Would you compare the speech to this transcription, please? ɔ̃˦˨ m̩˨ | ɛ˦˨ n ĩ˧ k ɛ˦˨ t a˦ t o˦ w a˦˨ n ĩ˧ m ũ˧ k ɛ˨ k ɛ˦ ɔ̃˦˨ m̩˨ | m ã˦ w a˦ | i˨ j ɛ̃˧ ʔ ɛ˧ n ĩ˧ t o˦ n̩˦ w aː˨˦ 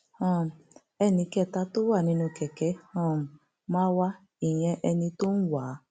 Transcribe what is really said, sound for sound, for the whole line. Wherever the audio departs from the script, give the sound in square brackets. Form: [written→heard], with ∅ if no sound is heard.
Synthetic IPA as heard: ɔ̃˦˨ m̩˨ | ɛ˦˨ n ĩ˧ k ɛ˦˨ t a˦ t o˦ w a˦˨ n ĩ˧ [m→n] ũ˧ k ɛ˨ k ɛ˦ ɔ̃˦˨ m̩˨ | m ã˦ w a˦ | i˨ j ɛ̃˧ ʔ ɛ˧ n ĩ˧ t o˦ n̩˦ w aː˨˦

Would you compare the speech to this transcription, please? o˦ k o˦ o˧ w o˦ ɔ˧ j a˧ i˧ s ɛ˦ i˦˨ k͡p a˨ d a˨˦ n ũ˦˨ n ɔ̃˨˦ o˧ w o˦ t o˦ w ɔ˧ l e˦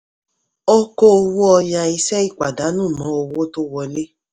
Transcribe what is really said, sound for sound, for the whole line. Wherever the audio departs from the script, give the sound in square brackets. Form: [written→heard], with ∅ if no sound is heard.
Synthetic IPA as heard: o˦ k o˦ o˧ w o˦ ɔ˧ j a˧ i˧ s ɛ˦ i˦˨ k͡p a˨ d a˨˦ n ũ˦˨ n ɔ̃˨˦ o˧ w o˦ t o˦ w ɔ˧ l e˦

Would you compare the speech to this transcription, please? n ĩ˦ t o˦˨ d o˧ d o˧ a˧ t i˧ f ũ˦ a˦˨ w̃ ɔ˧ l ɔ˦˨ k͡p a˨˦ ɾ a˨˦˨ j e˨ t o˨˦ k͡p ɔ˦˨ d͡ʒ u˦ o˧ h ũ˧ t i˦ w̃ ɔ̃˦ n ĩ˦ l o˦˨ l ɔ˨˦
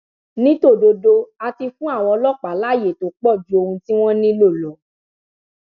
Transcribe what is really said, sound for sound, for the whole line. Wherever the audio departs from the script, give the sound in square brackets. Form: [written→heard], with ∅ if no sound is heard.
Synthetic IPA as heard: n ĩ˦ t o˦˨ d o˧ d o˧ a˧ t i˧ f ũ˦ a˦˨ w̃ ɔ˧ l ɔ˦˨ k͡p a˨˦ [ɾ→l] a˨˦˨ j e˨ t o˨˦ k͡p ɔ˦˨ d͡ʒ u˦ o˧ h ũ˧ t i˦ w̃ ɔ̃˦ n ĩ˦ l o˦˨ l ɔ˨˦

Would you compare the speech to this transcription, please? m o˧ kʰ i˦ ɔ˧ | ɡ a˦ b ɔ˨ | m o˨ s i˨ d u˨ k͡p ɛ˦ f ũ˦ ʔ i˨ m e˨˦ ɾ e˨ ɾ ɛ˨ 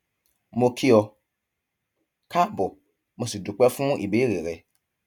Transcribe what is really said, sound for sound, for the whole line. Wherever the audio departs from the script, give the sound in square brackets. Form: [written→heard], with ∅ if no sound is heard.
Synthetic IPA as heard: m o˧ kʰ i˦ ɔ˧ | [ɡ→k] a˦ b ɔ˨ | m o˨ s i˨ d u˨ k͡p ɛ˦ f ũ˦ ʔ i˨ [m→b] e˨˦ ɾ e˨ ɾ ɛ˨

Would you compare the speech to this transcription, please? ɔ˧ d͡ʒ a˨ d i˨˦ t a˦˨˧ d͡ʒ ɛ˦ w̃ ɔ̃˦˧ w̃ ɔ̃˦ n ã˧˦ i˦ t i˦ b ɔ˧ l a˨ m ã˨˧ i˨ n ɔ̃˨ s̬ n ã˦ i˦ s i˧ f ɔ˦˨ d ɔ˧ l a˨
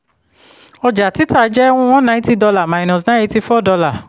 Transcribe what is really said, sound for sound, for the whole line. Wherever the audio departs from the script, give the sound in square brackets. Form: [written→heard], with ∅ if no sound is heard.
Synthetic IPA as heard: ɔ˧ d͡ʒ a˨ [d→t] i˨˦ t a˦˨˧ d͡ʒ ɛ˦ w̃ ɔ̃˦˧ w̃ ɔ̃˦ n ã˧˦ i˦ t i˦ [b→d] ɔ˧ l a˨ m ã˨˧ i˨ n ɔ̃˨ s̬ n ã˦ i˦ [s→t] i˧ f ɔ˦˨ d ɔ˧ l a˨

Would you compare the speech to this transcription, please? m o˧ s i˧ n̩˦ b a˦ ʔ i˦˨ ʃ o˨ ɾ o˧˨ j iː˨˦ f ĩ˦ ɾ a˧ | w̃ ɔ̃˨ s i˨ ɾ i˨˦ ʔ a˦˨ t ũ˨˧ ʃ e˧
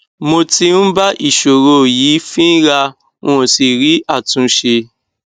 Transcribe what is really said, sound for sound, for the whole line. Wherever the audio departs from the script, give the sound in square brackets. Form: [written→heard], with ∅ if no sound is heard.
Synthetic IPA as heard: m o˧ [s→t] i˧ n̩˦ b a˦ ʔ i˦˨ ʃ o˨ ɾ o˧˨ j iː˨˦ f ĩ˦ ɾ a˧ | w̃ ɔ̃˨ s i˨ ɾ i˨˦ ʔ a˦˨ t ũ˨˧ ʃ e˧

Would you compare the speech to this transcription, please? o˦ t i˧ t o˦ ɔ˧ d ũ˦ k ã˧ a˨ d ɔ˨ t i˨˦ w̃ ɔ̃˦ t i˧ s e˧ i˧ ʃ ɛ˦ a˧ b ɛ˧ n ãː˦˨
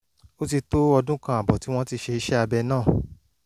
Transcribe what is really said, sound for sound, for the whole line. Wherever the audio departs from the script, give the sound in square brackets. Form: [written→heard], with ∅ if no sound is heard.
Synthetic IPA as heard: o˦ t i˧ t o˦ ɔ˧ d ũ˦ k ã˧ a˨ [d→b] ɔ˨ t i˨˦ w̃ ɔ̃˦ t i˧ [s→ʃ] e˧ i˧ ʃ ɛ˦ a˧ b ɛ˧ n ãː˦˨

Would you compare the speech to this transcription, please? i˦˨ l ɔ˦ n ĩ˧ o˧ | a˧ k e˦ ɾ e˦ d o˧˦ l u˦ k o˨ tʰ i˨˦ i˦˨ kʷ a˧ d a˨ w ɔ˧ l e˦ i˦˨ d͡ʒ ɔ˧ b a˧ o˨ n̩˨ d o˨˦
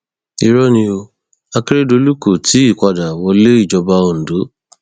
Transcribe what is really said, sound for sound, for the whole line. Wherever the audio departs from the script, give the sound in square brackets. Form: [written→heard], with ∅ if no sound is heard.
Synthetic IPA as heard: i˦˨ [l→ɾ] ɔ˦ n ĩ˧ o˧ | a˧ k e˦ ɾ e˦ d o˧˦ l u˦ k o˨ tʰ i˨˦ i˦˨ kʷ a˧ d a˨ w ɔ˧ l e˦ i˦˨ d͡ʒ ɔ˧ b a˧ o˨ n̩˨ d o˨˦

